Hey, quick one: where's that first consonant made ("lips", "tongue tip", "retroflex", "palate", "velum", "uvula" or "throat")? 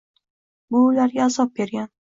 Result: lips